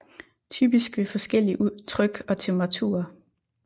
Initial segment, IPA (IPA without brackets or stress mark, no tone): t͡sʰ